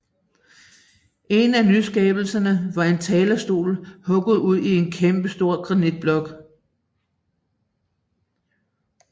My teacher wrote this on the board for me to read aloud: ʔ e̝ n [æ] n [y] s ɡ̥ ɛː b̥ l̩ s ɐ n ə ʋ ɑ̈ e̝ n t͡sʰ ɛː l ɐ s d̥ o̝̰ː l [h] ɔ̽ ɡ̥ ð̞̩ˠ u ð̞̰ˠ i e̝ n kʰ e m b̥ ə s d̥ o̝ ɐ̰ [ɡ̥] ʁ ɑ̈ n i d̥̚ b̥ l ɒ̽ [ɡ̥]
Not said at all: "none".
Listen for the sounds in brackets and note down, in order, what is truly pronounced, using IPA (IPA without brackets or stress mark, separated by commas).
æ, y, h, ɡ̥, ɡ̥